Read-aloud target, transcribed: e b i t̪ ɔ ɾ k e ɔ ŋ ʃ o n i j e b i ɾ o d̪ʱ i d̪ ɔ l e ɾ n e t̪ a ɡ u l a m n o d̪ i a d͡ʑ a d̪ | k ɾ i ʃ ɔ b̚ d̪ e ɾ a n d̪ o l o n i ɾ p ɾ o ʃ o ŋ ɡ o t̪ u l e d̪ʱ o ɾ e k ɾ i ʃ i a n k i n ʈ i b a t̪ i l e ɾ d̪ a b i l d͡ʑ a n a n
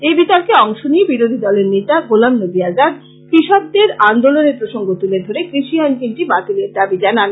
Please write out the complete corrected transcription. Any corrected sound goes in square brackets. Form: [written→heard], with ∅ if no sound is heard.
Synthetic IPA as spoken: e b i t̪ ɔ ɾ k e ɔ ŋ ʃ o n i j e b i ɾ o d̪ʱ i d̪ ɔ l e ɾ n e t̪ a ɡ [u→o] l a m n o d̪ i a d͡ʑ a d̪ | k ɾ i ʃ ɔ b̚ d̪ e ɾ a n d̪ o l o n [i→e] ɾ p ɾ o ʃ o ŋ ɡ o t̪ u l e d̪ʱ o ɾ e k ɾ i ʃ i a n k i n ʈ i b a t̪ i l e ɾ d̪ a b i [l→∅] d͡ʑ a n a n